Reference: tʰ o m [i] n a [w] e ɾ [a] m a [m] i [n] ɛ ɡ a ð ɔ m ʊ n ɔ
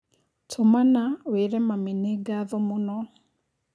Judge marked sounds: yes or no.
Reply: no, yes, no, yes, yes

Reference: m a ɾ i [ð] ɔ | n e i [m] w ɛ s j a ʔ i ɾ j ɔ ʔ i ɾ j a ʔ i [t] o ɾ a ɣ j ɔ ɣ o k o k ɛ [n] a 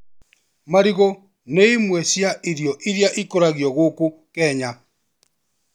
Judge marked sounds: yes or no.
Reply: no, yes, no, no

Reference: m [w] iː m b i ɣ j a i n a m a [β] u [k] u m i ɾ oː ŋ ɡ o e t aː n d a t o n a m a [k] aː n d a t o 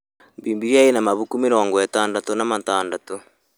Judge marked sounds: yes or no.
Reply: no, yes, yes, no

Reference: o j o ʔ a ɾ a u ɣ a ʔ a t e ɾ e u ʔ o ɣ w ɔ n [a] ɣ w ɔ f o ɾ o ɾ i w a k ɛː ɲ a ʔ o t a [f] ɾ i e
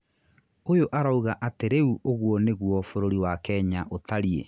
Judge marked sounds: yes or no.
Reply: no, no

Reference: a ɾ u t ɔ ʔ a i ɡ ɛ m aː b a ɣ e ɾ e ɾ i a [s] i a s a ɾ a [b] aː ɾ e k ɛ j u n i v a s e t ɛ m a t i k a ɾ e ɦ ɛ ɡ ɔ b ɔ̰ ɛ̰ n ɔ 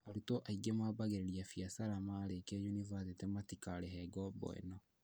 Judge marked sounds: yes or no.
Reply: no, no

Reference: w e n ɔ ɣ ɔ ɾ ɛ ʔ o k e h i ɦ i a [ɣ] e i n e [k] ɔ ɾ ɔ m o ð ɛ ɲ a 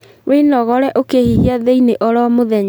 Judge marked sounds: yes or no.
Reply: no, no

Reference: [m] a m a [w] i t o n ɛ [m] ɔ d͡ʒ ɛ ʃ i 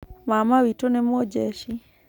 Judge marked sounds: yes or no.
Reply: yes, yes, yes

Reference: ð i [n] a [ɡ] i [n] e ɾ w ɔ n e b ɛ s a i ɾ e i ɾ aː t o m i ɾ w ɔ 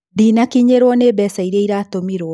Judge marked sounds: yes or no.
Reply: yes, no, no

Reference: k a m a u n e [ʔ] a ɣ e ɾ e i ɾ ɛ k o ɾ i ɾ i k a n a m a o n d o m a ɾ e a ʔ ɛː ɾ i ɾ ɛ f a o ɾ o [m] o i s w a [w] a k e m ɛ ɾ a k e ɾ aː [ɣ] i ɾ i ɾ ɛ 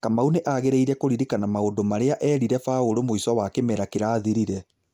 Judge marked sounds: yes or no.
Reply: yes, yes, yes, no

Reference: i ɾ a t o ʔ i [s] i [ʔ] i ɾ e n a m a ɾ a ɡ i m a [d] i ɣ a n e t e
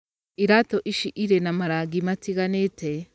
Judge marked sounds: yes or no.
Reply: no, yes, no

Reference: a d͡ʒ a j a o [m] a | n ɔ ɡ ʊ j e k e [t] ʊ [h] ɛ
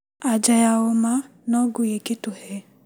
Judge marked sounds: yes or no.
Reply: yes, yes, yes

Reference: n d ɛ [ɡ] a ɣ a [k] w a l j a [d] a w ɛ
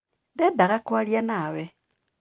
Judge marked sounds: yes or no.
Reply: no, yes, no

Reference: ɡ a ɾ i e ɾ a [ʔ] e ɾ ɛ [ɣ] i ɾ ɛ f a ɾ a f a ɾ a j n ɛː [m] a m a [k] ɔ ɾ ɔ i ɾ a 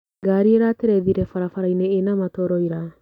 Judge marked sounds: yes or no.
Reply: no, no, no, no

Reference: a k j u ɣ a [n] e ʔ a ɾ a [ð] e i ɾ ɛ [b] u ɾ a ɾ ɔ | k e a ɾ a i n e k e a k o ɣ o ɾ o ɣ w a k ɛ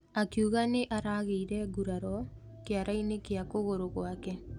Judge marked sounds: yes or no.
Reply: yes, no, no

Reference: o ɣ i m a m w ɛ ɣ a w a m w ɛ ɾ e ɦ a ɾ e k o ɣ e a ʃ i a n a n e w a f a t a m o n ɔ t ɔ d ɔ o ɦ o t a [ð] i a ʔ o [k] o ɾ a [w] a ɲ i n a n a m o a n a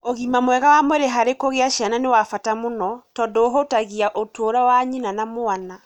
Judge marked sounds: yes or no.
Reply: no, no, yes

